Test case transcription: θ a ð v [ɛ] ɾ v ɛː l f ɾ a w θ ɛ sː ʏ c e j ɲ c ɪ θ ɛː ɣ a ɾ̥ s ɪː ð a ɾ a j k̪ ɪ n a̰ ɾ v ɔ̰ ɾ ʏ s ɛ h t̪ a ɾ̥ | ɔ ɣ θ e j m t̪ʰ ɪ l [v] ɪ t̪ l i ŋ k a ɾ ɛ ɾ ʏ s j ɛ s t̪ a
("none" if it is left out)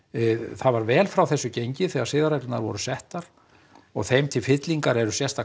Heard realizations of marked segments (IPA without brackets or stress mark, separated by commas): a, f